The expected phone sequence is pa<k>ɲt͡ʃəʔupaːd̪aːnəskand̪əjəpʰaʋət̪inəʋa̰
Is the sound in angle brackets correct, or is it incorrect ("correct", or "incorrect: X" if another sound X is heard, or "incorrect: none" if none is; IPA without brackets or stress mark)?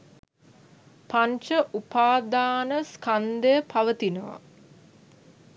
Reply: incorrect: none